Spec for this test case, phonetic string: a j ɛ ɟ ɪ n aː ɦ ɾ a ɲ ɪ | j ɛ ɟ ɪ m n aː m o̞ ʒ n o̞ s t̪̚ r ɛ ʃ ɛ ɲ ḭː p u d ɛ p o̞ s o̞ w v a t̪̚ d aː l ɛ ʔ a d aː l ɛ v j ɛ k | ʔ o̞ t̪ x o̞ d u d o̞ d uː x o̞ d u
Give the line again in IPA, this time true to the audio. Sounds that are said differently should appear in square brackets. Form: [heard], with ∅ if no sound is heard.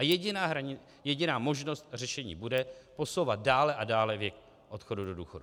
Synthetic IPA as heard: a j ɛ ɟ ɪ n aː ɦ ɾ a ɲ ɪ | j ɛ ɟ ɪ [∅] n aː m o̞ ʒ n o̞ s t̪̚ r ɛ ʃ ɛ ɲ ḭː [b] u d ɛ p o̞ s o̞ w v a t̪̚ d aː l ɛ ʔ a d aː l ɛ v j ɛ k | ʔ o̞ t̪ x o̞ d u d o̞ d uː x o̞ d u